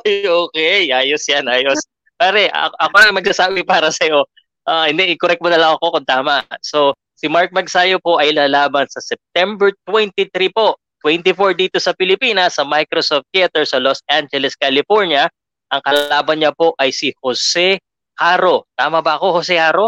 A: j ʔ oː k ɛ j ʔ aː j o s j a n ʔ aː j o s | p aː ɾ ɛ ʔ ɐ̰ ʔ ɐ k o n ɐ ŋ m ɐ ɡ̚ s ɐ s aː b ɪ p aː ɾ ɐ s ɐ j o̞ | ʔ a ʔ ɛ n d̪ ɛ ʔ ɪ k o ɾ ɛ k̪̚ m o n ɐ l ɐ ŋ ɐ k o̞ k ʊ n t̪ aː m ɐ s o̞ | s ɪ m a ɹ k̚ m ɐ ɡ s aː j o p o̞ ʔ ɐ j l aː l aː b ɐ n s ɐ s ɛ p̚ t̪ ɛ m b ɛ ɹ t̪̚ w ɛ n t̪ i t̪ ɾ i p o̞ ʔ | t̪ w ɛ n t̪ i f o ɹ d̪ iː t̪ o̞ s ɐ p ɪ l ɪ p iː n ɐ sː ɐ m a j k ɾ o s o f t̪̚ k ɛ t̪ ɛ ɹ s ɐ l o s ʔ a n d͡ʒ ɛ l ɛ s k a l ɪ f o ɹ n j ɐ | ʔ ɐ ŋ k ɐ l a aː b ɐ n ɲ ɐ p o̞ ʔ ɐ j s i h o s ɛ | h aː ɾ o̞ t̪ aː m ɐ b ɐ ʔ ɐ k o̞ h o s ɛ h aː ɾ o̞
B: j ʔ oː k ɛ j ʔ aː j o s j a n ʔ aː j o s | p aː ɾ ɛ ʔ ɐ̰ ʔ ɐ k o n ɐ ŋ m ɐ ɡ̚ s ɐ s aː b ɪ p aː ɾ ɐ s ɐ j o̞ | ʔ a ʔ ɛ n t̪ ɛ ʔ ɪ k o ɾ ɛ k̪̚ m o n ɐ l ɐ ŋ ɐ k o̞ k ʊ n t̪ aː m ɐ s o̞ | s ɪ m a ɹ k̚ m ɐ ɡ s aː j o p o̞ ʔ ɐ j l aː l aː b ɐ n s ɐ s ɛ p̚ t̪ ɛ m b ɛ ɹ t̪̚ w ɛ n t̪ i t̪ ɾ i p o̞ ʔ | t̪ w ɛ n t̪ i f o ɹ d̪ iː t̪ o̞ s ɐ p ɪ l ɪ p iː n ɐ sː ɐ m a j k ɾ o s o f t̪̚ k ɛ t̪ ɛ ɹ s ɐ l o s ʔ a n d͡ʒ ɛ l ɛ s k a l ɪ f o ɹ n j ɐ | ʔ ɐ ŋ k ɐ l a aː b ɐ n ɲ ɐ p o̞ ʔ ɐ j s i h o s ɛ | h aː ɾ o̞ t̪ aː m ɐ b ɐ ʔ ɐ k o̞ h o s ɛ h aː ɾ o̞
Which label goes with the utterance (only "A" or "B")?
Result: A